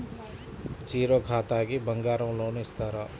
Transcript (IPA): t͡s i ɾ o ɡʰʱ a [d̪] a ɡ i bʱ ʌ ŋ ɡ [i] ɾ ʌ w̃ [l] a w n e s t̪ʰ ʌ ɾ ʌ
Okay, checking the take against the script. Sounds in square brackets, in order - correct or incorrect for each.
incorrect, incorrect, correct

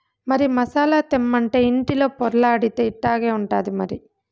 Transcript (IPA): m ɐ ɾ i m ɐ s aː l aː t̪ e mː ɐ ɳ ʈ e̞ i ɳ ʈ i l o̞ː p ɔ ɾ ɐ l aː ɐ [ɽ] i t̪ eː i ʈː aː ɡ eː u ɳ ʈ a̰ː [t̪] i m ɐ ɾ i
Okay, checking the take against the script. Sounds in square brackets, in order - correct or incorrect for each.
correct, incorrect

